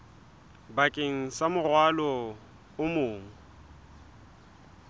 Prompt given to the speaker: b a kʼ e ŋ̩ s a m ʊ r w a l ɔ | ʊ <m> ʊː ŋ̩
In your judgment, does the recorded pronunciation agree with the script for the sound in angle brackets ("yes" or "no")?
yes